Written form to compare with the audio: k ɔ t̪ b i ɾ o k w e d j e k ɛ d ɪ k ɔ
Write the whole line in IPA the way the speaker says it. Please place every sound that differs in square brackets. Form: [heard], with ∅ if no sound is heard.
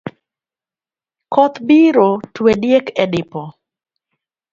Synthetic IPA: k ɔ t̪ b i ɾ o [t] w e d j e k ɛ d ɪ [p] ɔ

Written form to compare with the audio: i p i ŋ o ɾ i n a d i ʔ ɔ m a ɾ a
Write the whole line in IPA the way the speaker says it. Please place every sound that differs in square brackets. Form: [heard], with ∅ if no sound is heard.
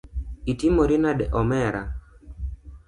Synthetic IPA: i [t] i [m] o ɾ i n a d [ɛ] ʔ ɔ m [ɛ] ɾ a

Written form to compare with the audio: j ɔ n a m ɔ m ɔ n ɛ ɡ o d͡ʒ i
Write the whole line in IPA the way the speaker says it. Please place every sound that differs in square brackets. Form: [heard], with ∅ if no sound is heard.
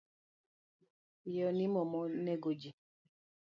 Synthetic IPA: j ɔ n [i] m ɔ m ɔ n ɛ ɡ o d͡ʒ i

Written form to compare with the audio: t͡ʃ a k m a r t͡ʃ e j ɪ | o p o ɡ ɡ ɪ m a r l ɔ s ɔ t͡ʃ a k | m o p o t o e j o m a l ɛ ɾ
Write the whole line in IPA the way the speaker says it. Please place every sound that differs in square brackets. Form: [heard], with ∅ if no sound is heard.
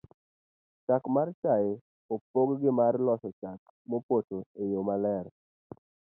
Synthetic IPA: t͡ʃ a k m a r t͡ʃ [a] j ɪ | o p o ɡ ɡ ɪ m a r l ɔ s ɔ t͡ʃ a k | m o p o t o e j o m a l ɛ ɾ

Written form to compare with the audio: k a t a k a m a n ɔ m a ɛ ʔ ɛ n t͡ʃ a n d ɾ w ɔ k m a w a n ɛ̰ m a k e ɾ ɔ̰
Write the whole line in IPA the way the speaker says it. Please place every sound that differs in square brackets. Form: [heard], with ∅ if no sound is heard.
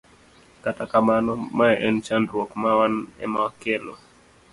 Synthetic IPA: k a t a k a m a n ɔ m a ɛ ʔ ɛ n t͡ʃ a n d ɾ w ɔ k m a w a n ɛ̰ m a k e [l] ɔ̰

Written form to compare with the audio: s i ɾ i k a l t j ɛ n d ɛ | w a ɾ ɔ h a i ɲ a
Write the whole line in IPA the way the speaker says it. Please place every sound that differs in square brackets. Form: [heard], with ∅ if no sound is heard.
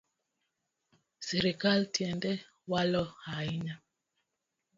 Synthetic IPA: s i ɾ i k a l t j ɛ n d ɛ | w a [l] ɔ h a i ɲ a

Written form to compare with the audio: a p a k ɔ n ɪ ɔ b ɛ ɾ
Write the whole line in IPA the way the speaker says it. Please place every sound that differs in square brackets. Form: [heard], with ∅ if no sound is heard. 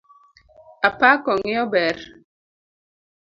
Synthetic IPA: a p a k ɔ [ŋ] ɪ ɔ b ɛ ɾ

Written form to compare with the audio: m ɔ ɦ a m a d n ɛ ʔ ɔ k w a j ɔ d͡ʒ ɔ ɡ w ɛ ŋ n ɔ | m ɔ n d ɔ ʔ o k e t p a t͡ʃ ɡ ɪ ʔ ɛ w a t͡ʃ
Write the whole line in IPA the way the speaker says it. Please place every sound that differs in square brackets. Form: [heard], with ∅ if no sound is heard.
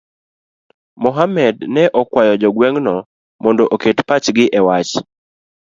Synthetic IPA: m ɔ ɦ a m [ɛ] d n ɛ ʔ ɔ k w a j ɔ d͡ʒ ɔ ɡ w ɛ ŋ n ɔ | m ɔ n d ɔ ʔ o k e t p a t͡ʃ ɡ ɪ ʔ ɛ w a t͡ʃ

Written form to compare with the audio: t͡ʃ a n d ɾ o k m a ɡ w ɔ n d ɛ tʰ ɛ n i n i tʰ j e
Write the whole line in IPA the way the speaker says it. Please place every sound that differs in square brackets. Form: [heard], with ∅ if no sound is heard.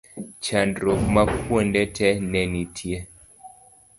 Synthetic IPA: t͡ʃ a n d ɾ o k m a [k] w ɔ n d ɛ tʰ ɛ n [ɛ] n i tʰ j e

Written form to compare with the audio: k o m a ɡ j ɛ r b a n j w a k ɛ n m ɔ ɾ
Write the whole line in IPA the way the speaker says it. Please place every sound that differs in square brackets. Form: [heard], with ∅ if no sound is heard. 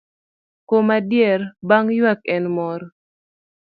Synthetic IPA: k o m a [d] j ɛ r b a [ŋ] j w a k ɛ n m ɔ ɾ

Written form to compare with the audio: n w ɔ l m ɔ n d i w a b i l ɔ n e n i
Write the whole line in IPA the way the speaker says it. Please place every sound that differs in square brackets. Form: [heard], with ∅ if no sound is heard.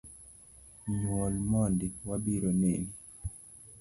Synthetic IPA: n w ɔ l m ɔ n d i w a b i [ɾ] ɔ n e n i

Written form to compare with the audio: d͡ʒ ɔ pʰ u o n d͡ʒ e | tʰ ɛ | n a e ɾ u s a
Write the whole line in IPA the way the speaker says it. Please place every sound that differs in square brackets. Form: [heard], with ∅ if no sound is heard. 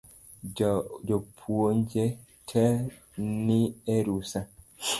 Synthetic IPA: d͡ʒ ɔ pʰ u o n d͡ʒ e | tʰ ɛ | n [i] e ɾ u s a

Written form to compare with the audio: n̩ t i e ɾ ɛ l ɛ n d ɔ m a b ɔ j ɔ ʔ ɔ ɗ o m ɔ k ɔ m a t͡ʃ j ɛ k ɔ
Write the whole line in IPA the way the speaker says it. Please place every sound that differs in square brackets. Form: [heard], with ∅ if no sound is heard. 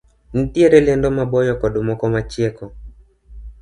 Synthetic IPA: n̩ t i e ɾ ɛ l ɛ n d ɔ m a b ɔ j ɔ [k] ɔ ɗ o m ɔ k ɔ m a t͡ʃ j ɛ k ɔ

